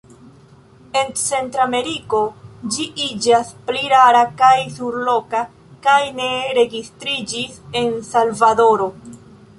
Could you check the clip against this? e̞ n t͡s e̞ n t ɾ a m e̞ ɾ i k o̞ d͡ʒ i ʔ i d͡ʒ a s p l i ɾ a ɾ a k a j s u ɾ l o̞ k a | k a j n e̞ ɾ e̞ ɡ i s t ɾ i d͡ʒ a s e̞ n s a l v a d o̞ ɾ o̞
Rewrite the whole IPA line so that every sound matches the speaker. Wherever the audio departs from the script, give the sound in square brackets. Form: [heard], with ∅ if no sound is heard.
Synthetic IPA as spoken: e̞ n t͡s e̞ n t ɾ a m e̞ ɾ i k o̞ d͡ʒ i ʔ i d͡ʒ a s p l i ɾ a ɾ a k a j s u ɾ l o̞ k a | k a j n e̞ ɾ e̞ ɡ i s t ɾ i d͡ʒ [i] s e̞ n s a l v a d o̞ ɾ o̞